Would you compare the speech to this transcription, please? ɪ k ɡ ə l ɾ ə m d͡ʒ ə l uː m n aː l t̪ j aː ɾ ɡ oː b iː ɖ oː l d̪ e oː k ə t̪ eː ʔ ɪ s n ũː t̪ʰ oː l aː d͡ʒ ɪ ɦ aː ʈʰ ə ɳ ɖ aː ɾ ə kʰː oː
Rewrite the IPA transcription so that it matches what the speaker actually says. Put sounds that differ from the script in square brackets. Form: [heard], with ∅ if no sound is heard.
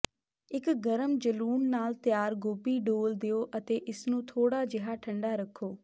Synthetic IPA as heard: ɪ k ɡ ə [∅] ɾ ə m d͡ʒ ə l uː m n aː l t̪ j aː ɾ ɡ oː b iː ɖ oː l d̪ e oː [ʔ] ə t̪ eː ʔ ɪ s n ũː t̪ʰ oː [ɽ] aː d͡ʒ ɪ ɦ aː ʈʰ ə ɳ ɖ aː ɾ ə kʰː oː